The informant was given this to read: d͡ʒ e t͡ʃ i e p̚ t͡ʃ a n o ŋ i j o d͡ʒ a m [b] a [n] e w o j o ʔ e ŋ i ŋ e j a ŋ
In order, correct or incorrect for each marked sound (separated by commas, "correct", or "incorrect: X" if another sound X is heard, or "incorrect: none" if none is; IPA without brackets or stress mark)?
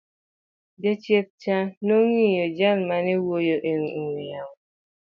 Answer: incorrect: m, correct